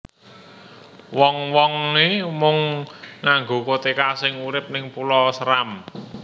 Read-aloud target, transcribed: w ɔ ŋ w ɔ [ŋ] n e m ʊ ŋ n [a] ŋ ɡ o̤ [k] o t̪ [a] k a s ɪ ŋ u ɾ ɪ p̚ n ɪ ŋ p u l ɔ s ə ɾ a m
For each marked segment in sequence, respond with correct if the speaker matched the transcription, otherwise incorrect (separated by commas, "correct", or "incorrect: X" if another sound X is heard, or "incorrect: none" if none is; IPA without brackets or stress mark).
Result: correct, correct, correct, incorrect: e